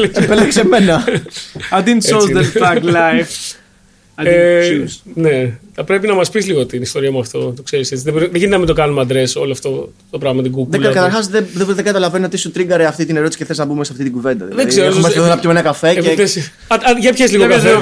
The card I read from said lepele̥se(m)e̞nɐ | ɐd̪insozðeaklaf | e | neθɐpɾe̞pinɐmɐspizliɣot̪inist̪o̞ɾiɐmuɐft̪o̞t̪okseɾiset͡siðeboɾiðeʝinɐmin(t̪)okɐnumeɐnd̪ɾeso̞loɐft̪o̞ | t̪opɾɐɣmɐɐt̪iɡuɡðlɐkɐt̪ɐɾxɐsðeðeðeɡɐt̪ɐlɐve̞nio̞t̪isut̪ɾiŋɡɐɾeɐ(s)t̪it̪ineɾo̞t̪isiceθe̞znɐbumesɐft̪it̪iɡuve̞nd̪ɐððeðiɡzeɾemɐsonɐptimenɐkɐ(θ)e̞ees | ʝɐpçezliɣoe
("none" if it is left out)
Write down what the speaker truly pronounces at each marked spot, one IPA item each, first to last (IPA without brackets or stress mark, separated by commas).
m, d̪, f, f